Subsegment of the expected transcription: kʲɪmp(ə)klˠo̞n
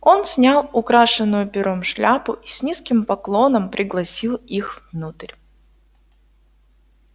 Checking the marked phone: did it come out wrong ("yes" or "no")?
yes